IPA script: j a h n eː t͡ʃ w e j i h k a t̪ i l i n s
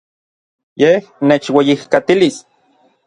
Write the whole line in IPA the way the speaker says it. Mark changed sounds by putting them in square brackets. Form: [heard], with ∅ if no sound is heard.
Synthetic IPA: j [e] h n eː t͡ʃ w e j i h k a t̪ i l i [∅] s